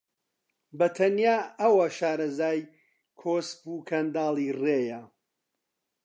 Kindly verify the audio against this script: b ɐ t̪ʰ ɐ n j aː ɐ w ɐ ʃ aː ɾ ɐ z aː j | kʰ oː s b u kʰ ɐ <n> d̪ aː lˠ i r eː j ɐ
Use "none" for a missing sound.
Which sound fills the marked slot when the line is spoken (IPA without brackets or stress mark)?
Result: n